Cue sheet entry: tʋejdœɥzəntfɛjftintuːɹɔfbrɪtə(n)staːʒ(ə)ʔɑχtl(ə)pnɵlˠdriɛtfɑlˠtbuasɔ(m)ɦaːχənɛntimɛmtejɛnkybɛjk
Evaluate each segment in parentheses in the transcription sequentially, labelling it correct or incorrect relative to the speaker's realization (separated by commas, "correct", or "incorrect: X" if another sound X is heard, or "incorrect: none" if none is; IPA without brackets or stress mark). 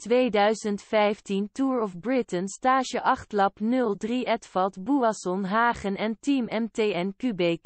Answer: correct, correct, incorrect: ɑ, incorrect: n